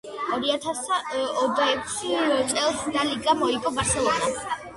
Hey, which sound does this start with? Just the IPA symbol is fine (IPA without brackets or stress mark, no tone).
ɔ